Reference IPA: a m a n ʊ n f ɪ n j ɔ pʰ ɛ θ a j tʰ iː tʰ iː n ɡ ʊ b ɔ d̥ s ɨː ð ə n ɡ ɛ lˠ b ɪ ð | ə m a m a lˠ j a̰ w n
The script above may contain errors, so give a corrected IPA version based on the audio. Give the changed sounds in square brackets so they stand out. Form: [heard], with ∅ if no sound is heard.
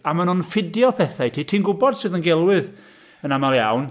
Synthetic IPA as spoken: a m a n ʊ n f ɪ [d] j ɔ pʰ ɛ θ a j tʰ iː tʰ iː n ɡ ʊ b ɔ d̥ s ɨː ð ə n ɡ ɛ lˠ [w] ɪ ð | ə [n] a m a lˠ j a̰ w n